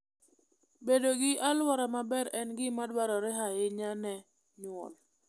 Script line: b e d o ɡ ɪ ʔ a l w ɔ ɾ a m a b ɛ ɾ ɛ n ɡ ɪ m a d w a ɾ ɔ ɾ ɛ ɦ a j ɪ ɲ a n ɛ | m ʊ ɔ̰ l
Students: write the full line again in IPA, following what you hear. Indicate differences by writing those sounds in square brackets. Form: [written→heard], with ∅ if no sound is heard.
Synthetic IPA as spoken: b e d o ɡ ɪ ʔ a l w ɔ ɾ a m a b ɛ ɾ ɛ n ɡ ɪ m a d w a ɾ ɔ ɾ ɛ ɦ a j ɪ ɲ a n ɛ | [m→ɲ] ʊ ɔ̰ l